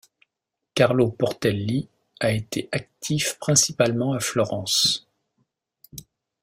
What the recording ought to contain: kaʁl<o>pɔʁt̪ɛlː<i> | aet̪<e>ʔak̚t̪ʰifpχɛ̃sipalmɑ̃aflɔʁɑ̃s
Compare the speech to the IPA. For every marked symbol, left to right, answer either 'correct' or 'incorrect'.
correct, correct, correct

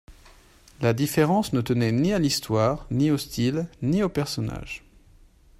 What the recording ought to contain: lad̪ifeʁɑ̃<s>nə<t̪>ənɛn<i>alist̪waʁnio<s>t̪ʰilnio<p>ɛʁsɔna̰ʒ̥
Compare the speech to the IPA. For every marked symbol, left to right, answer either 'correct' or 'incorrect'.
correct, correct, correct, correct, correct

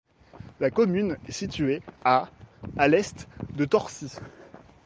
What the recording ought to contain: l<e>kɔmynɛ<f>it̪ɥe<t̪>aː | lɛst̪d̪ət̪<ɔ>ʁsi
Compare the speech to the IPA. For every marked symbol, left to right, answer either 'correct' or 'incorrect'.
incorrect: a, incorrect: s, incorrect: none, correct

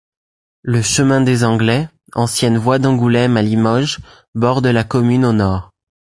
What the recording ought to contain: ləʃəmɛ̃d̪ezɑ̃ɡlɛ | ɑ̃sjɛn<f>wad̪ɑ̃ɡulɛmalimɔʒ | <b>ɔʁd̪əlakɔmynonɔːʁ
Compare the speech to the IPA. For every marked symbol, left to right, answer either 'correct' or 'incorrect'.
incorrect: v, correct

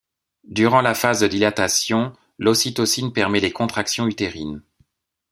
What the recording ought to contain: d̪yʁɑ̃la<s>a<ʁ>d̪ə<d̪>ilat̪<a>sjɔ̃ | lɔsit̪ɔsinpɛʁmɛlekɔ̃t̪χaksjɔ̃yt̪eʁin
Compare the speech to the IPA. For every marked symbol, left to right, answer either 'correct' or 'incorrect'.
incorrect: f, incorrect: z, correct, correct

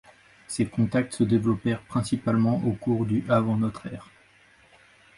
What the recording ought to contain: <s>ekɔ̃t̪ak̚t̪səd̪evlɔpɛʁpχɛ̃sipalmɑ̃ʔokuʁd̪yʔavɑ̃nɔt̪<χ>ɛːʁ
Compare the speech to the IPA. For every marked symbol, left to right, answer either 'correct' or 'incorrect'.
correct, correct

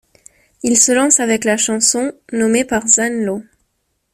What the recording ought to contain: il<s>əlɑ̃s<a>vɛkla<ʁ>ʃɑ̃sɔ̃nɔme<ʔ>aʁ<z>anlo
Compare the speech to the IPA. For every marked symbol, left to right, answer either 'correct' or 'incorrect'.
correct, correct, incorrect: none, incorrect: p, correct

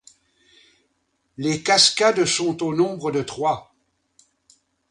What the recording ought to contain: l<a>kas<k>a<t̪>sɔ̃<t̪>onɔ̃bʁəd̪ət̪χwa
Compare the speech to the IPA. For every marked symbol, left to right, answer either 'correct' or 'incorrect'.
incorrect: e, correct, incorrect: d̪, correct

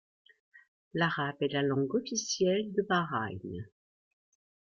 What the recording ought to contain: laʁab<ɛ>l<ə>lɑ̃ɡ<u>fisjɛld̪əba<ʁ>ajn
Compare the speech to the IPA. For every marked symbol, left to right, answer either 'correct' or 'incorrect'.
correct, incorrect: a, incorrect: ɔ, correct

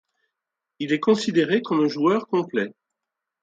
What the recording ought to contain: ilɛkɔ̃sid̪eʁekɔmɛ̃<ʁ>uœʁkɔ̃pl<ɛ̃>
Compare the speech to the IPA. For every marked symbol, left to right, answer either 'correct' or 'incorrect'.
incorrect: ʒ, incorrect: ɛ

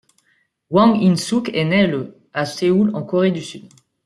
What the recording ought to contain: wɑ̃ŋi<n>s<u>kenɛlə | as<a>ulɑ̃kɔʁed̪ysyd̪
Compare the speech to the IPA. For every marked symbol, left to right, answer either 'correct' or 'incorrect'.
correct, correct, incorrect: e

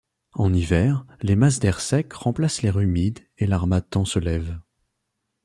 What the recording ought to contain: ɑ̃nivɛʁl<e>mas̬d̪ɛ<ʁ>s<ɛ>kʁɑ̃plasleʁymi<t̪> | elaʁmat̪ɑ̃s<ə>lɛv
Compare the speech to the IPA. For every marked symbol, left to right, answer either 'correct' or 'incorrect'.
correct, correct, correct, incorrect: d̪, correct

